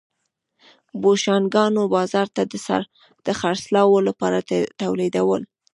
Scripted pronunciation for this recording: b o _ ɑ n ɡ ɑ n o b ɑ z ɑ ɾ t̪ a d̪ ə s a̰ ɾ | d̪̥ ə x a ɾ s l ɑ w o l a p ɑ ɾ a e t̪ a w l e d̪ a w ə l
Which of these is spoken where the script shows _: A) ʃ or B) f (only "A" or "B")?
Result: A